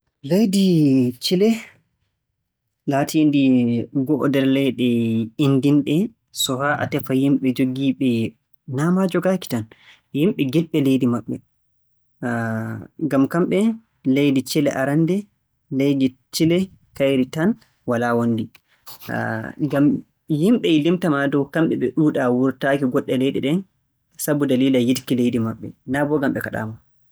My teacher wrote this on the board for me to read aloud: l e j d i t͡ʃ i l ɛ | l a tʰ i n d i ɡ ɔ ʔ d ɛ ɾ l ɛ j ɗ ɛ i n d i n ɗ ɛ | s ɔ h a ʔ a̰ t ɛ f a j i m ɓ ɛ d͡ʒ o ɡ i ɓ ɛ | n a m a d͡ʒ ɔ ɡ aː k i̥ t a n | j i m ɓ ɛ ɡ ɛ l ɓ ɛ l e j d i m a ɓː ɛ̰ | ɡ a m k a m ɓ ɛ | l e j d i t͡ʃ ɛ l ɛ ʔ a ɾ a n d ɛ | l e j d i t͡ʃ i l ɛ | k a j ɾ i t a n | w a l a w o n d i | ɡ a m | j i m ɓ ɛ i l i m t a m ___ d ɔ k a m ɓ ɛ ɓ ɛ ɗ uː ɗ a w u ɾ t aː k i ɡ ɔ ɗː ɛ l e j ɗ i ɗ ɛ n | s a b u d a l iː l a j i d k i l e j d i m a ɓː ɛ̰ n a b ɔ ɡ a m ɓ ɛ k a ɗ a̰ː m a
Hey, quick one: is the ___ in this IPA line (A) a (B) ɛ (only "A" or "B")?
A